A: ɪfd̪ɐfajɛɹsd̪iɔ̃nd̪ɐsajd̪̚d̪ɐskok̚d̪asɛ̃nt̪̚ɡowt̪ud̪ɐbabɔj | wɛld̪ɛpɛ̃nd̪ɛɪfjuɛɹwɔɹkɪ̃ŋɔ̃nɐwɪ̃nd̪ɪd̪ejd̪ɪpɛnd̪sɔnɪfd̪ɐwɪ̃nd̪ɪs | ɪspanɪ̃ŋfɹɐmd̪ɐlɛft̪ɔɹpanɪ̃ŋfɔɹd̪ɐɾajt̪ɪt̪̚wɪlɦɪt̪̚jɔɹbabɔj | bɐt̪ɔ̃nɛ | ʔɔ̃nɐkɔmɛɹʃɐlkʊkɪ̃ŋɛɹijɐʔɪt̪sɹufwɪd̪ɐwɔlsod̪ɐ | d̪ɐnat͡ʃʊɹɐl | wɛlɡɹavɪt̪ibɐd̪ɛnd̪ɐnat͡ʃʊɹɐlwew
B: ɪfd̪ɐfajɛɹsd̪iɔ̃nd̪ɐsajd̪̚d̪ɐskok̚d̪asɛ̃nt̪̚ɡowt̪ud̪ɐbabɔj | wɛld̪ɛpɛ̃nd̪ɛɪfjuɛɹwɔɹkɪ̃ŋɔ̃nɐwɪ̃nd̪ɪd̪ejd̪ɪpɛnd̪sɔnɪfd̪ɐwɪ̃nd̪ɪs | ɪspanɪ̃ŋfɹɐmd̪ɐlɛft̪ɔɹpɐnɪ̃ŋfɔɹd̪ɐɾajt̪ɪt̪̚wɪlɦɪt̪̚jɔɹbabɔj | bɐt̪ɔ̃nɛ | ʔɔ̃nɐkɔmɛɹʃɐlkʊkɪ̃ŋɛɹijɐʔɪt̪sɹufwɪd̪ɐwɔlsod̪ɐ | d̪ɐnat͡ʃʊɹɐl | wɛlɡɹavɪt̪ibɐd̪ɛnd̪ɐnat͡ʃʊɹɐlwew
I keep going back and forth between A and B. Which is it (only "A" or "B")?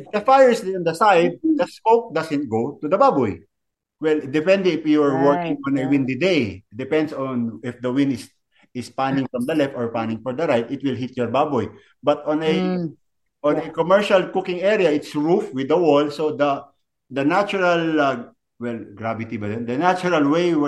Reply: A